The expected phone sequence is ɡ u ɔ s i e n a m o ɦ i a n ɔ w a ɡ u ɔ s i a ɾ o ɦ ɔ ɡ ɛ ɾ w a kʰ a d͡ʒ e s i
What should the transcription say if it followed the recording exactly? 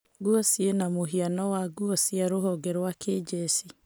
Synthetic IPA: ɡ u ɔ s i e n a m o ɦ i a n ɔ w a ɡ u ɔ s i a ɾ o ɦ ɔ ɡ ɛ ɾ w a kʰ e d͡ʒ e s i